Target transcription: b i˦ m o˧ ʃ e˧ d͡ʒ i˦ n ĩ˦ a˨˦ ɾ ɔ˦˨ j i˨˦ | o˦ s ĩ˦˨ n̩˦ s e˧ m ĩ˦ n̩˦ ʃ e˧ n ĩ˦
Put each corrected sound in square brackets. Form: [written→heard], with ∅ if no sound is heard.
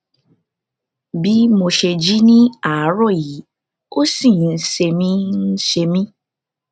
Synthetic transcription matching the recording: b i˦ m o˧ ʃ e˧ d͡ʒ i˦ n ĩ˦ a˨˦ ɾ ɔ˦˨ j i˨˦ | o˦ s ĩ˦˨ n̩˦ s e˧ m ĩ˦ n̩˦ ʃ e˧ [n→m] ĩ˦